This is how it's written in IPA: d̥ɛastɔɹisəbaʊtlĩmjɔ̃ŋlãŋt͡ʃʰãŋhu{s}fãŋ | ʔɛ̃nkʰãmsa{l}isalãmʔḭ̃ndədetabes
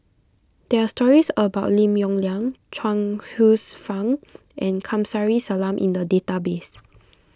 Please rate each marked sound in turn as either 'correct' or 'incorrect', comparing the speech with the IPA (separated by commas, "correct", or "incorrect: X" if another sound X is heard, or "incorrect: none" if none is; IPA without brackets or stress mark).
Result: correct, incorrect: ɹ